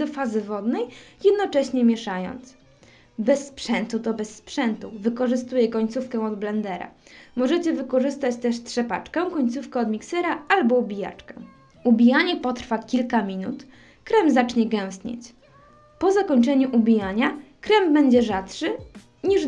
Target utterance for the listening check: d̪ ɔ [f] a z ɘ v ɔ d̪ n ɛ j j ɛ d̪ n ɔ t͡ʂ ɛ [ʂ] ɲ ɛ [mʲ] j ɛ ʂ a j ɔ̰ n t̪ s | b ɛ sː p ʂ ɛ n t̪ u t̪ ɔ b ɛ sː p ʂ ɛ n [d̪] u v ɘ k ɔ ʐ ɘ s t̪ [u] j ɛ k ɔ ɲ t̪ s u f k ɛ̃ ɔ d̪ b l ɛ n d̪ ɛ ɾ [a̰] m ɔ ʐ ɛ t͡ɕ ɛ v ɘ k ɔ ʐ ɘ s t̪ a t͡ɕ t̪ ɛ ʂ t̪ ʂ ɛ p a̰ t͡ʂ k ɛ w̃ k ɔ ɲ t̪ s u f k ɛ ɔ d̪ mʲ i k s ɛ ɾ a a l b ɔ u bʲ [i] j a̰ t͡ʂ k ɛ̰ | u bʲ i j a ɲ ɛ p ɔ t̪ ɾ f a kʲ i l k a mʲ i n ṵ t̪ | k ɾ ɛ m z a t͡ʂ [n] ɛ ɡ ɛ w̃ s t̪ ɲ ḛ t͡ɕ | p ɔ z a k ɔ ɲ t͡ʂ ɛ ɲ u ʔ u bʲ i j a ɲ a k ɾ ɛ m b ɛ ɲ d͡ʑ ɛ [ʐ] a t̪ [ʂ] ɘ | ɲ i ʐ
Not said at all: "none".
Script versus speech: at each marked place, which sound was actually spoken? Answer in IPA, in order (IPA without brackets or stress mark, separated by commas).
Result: f, ɕ, mʲ, t̪, u, a̰, i, ɲ, ʐ, ʂ